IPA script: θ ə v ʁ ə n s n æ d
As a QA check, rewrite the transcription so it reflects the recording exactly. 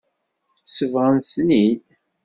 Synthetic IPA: s ə v ʁ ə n θ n i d